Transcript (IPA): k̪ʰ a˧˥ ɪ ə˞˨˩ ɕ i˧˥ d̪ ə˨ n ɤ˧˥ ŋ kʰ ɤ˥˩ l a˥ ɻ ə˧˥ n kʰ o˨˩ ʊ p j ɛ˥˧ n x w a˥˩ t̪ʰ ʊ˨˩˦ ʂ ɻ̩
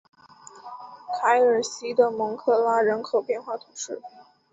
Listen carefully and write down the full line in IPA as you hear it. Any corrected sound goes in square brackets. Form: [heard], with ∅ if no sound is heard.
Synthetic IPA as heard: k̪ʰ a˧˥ ɪ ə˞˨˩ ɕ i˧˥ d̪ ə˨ [m] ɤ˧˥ ŋ kʰ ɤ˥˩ l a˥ ɻ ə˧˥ n kʰ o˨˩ ʊ p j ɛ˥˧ n x w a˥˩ t̪ʰ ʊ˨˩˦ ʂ ɻ̩